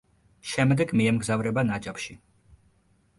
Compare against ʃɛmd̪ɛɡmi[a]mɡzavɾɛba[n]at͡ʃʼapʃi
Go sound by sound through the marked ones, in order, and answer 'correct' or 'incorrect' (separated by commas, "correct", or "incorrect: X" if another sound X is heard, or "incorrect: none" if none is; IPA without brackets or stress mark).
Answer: incorrect: ɛ, correct